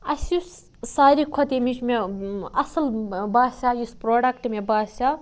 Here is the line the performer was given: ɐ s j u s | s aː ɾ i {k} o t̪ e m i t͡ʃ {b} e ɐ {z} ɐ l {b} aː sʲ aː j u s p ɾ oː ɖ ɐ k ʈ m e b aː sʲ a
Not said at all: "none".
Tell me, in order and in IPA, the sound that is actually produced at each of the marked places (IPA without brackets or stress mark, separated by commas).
kʰ, m, s, b